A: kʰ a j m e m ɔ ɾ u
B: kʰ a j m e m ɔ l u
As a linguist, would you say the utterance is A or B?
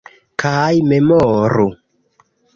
A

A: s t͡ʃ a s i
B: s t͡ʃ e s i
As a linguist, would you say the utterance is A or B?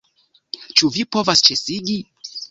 B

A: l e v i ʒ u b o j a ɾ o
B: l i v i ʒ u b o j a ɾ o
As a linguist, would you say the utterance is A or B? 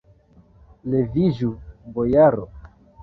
A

